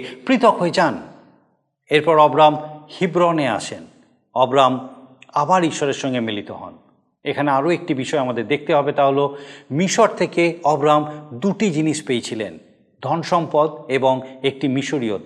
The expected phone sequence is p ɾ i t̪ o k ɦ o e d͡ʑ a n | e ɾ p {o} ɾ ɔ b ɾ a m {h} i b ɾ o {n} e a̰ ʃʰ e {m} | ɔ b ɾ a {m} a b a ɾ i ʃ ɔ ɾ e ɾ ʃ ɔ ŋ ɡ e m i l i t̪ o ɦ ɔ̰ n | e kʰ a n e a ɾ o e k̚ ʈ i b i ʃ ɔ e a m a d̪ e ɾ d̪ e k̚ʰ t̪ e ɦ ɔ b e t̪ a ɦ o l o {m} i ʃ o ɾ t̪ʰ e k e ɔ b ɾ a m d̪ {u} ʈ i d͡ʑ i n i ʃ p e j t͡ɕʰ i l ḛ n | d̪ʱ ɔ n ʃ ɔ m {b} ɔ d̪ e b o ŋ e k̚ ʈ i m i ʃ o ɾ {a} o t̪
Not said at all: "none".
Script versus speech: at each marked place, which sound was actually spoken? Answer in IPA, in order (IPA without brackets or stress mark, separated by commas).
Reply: ɔ, h, n, n, m, m, u, p, i